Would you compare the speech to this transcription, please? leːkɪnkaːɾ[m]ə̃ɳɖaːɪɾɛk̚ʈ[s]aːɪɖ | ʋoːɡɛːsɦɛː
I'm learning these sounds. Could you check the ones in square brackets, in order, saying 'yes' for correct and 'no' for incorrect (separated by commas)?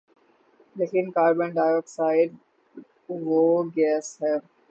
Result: no, yes